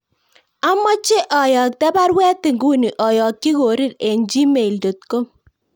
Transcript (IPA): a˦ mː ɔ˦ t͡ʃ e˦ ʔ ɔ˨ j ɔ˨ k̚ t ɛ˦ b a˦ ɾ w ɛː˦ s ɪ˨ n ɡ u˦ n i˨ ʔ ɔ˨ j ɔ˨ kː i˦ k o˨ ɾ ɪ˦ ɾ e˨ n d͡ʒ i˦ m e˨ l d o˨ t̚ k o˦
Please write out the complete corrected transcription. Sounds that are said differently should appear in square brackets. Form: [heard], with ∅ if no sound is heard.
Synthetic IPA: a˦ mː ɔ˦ t͡ʃ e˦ ʔ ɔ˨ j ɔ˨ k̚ t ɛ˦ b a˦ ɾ w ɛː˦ [t] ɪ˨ [ŋ] ɡ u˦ n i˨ ʔ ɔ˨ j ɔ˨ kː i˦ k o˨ ɾ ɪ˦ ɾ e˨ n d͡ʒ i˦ m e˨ l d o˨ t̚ k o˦